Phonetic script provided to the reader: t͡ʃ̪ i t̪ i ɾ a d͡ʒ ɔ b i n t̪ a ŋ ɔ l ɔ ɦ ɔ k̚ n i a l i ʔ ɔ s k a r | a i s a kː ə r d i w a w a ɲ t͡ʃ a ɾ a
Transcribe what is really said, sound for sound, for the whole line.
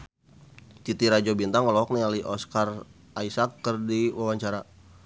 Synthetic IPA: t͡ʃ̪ i t̪ i ɾ a d͡ʒ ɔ b i n t̪ a ŋ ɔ l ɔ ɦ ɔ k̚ n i a l i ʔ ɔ s k a r | a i s a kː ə r d i w a w a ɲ t͡ʃ a ɾ a